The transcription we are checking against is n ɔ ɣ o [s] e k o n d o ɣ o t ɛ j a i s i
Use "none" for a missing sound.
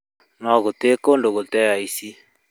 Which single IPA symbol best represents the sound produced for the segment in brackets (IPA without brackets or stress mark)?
t